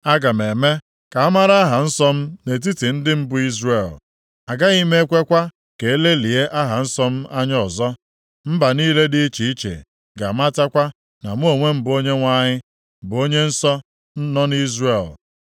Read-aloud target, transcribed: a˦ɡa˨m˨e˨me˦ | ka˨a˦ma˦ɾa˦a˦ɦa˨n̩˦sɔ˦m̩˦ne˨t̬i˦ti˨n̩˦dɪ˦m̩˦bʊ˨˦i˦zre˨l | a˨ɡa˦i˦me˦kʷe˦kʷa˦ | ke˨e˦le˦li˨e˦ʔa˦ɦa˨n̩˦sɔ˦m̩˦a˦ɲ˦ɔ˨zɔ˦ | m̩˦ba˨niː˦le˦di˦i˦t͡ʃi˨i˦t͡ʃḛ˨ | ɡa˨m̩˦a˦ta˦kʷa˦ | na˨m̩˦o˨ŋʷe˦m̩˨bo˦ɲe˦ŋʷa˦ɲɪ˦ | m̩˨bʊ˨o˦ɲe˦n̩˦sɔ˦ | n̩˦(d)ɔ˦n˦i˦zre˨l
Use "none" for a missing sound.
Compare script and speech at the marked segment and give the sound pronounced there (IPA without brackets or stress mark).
n